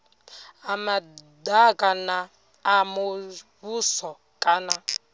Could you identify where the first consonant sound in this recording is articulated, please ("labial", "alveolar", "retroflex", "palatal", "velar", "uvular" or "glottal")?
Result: labial